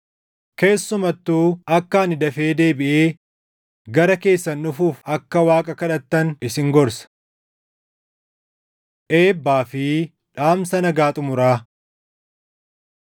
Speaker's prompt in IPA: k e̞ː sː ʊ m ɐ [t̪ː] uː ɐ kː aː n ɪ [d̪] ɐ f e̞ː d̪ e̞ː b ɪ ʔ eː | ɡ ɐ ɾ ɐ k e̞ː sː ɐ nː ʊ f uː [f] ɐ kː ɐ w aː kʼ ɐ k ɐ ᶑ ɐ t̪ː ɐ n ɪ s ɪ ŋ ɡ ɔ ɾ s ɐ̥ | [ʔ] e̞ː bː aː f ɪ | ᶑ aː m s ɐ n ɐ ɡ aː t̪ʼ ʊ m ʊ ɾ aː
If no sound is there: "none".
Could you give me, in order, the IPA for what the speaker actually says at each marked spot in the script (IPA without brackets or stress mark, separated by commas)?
t̪ː, d̪, f, ʔ